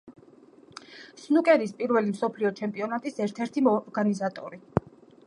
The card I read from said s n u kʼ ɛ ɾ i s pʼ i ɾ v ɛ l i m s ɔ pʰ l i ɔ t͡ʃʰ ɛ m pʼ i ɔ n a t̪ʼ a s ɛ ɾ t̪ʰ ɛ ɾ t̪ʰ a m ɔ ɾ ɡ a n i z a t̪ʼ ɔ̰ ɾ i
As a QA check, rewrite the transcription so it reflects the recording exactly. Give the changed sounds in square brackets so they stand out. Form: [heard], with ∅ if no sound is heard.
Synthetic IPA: s n u kʼ ɛ ɾ i s pʼ i ɾ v ɛ l i m s ɔ pʰ l i ɔ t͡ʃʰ ɛ m pʼ i ɔ n a t̪ʼ [i] s ɛ ɾ t̪ʰ ɛ ɾ t̪ʰ [i] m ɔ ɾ ɡ a n i z a t̪ʼ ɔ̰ ɾ i